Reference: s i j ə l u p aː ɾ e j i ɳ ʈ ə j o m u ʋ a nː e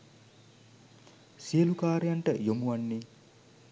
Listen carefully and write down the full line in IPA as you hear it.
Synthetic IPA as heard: s i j ə l u k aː ɾ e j a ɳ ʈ ə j o m u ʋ a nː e